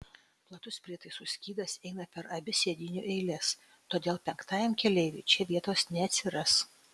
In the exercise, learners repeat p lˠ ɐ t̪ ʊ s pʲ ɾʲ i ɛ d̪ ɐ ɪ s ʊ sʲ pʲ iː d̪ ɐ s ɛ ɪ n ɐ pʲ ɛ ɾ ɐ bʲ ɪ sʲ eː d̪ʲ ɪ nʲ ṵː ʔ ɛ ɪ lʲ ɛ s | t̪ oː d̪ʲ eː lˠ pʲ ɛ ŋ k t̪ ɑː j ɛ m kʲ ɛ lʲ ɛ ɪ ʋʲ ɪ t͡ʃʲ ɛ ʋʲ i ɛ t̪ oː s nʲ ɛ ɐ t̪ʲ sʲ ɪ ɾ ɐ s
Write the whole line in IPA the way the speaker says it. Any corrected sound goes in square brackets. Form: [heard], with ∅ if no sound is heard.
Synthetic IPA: p lˠ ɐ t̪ ʊ s pʲ ɾʲ i ɛ [t̪] ɐ ɪ s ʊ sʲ [kʲ] iː d̪ ɐ s ɛ ɪ n ɐ pʲ ɛ ɾ ɐ bʲ ɪ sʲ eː d̪ʲ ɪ nʲ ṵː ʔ ɛ ɪ lʲ ɛ s | t̪ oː d̪ʲ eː lˠ pʲ ɛ ŋ k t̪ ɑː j ɛ m kʲ ɛ lʲ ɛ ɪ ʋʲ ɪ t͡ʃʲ ɛ ʋʲ i ɛ t̪ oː s nʲ ɛ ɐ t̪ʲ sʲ ɪ ɾ ɐ s